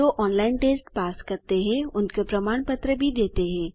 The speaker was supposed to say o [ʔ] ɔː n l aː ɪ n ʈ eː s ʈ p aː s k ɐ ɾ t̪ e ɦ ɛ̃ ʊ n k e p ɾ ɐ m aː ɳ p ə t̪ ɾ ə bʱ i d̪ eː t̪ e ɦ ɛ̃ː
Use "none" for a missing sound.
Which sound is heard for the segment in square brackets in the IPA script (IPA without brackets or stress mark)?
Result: ʔ